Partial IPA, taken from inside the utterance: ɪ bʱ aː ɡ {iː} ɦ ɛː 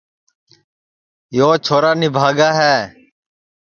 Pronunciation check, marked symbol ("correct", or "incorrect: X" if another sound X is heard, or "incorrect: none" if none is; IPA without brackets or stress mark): incorrect: aː